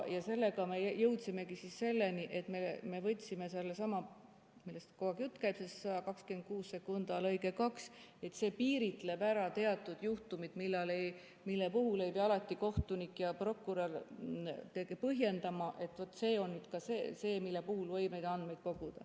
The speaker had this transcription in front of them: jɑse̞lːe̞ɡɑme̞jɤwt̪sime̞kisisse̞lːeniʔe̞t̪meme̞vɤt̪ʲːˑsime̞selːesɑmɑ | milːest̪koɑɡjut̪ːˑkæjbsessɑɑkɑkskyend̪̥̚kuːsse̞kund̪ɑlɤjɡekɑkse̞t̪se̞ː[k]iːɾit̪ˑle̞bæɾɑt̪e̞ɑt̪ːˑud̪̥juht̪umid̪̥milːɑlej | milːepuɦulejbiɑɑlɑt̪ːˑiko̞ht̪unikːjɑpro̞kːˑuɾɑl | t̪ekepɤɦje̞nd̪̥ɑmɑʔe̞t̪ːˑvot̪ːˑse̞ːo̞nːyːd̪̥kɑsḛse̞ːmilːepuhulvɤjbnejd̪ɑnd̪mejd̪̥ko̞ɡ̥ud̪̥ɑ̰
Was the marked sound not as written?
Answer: yes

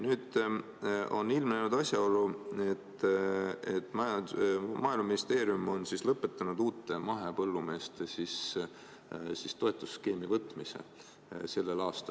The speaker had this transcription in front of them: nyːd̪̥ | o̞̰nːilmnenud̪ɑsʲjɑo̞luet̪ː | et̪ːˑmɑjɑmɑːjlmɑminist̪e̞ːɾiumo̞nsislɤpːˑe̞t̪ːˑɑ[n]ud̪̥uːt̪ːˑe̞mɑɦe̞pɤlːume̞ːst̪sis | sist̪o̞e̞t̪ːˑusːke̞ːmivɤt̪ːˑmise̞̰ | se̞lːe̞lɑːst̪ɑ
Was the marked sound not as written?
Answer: no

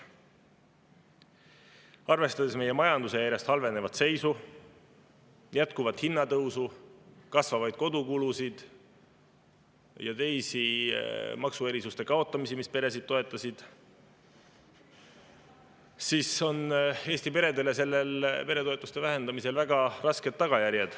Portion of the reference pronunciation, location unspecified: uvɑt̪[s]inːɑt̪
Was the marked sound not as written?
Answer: yes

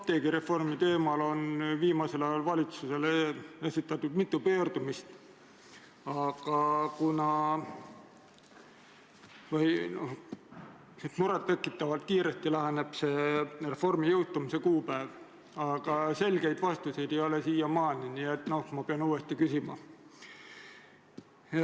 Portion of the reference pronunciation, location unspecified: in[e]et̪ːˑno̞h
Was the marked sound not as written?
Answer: yes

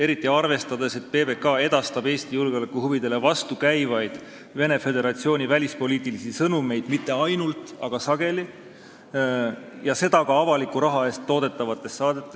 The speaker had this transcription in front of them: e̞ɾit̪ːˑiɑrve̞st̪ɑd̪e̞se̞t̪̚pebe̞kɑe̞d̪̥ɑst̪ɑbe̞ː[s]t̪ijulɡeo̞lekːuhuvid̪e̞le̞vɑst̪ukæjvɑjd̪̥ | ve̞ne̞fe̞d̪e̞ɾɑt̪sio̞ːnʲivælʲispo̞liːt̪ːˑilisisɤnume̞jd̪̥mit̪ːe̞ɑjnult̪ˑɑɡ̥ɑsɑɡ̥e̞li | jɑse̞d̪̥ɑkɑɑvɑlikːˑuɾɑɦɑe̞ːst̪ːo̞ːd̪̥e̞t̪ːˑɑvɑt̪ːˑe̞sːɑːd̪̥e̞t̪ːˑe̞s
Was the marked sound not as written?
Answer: no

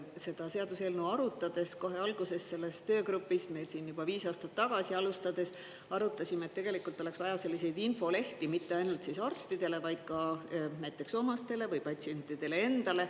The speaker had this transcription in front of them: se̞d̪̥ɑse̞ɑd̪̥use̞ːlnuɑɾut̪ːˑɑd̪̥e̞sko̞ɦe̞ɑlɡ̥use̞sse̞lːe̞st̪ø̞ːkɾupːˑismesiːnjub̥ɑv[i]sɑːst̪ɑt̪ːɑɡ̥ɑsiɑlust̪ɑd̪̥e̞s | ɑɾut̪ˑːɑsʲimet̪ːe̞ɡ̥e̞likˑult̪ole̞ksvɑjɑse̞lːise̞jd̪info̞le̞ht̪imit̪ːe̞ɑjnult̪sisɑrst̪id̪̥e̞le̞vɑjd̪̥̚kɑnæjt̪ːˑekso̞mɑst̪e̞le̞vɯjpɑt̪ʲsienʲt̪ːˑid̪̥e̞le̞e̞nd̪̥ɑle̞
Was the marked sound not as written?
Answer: yes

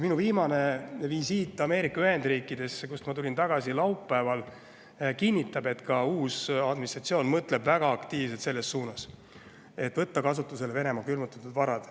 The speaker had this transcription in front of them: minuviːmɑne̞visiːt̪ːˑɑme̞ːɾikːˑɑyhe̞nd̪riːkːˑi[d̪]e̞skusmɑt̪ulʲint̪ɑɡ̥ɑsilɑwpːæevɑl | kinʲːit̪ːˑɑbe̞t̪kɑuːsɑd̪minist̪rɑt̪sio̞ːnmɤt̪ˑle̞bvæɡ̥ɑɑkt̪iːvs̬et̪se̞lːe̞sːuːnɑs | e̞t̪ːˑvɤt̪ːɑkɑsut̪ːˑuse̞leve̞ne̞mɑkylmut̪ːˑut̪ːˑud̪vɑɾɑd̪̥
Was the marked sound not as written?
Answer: no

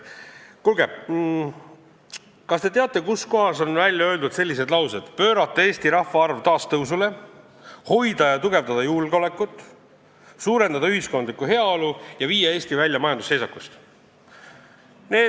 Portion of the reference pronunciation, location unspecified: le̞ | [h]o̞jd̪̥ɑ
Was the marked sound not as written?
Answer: no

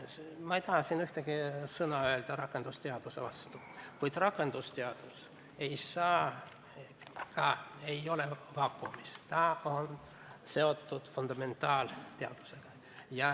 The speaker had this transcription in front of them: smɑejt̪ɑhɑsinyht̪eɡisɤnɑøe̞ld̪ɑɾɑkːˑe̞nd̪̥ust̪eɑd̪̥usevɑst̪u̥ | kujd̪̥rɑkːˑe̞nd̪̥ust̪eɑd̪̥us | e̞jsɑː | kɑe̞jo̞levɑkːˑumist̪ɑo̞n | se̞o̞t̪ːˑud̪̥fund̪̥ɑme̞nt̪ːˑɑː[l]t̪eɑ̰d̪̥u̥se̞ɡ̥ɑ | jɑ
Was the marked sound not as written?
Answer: no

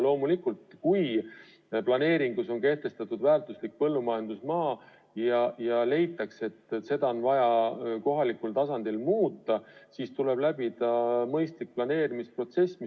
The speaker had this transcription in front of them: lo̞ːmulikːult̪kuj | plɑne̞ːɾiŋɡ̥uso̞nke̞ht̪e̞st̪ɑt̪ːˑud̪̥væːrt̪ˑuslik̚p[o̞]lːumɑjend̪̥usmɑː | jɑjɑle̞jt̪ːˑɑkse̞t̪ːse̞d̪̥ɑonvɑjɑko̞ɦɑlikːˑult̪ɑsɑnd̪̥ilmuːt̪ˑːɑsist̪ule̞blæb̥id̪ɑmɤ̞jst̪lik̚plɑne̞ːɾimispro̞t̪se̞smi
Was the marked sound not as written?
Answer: yes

